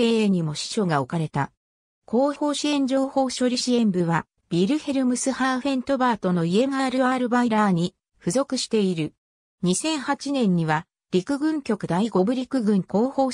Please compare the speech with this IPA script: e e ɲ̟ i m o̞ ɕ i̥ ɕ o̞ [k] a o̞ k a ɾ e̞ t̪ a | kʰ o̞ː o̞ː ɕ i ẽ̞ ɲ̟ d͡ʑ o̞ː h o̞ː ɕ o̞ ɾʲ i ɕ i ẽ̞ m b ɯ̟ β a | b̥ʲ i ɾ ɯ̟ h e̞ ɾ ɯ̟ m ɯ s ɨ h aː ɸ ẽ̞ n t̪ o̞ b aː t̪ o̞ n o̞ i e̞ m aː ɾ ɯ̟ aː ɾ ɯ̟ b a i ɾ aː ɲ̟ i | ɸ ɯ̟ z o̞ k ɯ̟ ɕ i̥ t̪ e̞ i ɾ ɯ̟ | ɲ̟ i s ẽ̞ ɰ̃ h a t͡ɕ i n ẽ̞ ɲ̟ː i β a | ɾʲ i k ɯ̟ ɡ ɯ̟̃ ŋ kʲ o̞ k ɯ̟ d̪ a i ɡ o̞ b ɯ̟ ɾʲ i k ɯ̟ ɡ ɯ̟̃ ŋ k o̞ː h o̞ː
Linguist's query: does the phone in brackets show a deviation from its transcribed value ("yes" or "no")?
yes